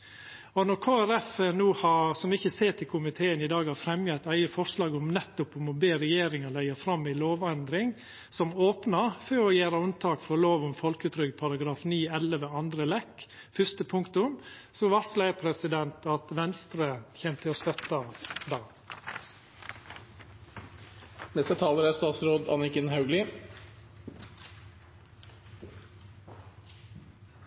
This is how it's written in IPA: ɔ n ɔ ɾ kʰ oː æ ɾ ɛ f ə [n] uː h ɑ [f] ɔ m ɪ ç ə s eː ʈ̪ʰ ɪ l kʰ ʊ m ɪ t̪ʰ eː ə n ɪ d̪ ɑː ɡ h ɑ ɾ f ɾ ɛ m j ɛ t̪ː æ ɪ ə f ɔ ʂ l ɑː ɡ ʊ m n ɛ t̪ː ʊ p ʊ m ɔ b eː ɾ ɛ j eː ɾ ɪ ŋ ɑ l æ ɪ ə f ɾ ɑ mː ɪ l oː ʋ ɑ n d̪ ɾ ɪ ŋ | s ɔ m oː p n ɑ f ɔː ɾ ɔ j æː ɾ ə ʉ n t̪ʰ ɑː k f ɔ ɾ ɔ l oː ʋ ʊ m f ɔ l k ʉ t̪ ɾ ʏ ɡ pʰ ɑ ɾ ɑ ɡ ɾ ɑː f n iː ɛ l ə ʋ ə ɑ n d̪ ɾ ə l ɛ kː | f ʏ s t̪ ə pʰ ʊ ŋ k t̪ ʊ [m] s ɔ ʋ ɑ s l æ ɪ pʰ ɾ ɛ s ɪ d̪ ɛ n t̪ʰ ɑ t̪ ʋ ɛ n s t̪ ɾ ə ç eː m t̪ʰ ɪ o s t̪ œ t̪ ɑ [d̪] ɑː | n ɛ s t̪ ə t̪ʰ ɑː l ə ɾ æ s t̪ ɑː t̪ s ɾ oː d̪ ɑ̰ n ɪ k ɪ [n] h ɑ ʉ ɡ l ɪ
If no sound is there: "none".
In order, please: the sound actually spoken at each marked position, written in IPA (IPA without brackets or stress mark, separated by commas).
n, s, m, d̪, n